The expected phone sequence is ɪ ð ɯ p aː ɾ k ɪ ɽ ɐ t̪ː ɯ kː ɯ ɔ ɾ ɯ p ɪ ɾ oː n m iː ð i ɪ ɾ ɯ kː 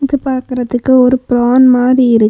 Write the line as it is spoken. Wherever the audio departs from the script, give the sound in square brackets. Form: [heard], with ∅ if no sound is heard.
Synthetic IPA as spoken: ɪ ð ɯ p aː ɾ k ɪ [ɾ] ɐ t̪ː ɯ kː ɯ ɔ ɾ ɯ p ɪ ɾ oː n m [aː] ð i ɪ ɾ ɯ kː

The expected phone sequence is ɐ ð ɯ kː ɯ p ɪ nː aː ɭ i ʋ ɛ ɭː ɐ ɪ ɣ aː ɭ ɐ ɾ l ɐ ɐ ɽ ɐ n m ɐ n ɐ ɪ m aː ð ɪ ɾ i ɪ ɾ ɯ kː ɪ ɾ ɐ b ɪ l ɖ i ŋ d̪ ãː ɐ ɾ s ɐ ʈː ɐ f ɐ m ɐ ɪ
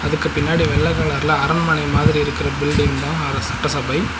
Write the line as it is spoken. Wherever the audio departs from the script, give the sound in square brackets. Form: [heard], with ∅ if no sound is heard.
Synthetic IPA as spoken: ɐ ð ɯ kː ɯ p ɪ nː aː [ɽ] i ʋ ɛ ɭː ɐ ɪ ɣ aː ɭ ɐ ɾ l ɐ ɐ [ɾ] ɐ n m ɐ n ɐ ɪ m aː ð ɪ ɾ i ɪ ɾ ɯ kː ɪ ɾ ɐ b ɪ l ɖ [ɪ] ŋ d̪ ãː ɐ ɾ s ɐ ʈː ɐ [s] ɐ [b] ɐ ɪ

